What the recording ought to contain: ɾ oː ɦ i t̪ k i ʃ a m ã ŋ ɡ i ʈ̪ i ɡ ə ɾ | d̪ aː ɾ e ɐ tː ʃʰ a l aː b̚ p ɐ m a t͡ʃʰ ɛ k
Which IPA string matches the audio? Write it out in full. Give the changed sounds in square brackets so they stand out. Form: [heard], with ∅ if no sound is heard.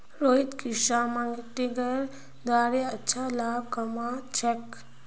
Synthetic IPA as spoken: ɾ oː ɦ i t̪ k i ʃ a m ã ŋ ɡ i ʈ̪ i ɡ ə ɾ | d̪ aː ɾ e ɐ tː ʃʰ a l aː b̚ [k] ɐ m a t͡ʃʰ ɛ k